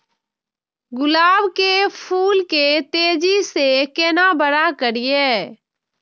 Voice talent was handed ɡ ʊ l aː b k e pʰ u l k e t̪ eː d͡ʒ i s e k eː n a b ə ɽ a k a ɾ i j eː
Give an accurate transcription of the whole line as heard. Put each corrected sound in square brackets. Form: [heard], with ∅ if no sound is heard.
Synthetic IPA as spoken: ɡ ʊ l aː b k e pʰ [uː] l k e t̪ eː d͡ʒ i s e k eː n a b ə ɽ a k [ə] ɾ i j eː